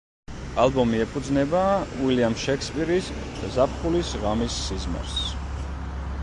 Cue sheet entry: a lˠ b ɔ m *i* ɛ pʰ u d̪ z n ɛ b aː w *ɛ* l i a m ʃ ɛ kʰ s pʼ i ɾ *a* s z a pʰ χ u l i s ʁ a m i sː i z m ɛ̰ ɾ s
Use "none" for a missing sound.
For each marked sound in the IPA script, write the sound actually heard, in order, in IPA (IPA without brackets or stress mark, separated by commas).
i, i, i